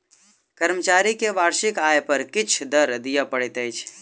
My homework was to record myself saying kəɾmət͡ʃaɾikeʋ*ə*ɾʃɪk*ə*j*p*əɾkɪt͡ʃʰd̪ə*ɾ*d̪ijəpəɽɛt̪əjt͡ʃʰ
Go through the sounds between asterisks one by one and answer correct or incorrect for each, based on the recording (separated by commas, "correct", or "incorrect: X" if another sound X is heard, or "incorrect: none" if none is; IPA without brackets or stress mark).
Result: incorrect: a, incorrect: a, correct, correct